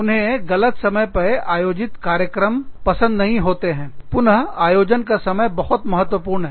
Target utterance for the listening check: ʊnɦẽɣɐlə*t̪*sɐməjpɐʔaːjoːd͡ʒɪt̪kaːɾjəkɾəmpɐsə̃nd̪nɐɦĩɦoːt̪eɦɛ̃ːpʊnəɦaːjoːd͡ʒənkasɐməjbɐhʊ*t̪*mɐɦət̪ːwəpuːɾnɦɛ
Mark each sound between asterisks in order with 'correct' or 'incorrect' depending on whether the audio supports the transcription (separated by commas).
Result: correct, correct